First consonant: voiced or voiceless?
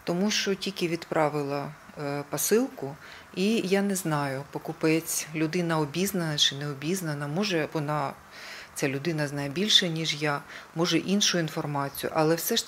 voiceless